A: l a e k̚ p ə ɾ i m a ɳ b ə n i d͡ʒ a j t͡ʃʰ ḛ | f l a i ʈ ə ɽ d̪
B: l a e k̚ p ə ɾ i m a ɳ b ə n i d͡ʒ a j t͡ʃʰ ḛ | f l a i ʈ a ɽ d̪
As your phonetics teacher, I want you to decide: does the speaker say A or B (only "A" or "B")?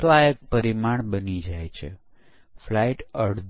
A